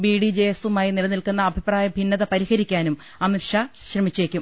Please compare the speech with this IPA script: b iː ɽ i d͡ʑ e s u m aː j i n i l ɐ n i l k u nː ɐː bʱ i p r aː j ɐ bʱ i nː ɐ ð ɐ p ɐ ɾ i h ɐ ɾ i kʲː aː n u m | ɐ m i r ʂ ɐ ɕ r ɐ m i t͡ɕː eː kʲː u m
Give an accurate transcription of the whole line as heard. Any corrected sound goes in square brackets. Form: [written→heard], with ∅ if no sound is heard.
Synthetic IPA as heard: b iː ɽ i d͡ʑ e s u m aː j i n i l ɐ n i l k u nː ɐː bʱ i p r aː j ɐ bʱ i nː ɐ ð ɐ p ɐ ɾ i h ɐ ɾ i kʲː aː n u m | ɐ m i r ʂ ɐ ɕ r ɐ m i t͡ɕː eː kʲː u m